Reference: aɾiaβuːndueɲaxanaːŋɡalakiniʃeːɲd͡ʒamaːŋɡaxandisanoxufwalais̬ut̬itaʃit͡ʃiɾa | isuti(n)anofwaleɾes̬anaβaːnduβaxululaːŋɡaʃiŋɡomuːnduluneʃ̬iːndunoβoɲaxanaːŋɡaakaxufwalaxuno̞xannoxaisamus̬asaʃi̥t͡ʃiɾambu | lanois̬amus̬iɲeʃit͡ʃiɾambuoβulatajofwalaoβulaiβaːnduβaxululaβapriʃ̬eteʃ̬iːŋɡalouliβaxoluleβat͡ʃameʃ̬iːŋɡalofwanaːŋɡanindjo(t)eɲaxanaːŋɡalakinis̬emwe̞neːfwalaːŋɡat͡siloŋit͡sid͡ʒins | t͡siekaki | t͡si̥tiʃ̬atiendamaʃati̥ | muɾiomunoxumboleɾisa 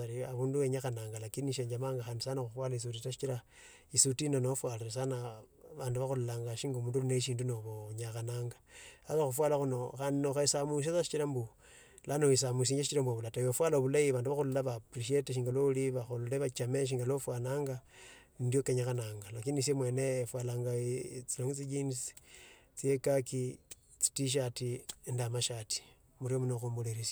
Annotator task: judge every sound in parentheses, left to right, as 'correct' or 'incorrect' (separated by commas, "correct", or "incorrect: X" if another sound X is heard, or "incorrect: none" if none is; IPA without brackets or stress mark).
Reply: correct, incorrect: k